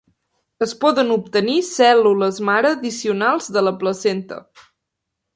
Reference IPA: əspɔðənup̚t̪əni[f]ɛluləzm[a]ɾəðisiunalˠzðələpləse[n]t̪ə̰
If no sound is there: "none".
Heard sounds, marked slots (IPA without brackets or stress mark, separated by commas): s, a, n